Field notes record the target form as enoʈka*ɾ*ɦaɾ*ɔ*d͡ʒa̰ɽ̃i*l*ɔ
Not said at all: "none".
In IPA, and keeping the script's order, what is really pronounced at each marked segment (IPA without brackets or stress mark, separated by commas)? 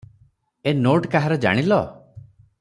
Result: none, ɔ, l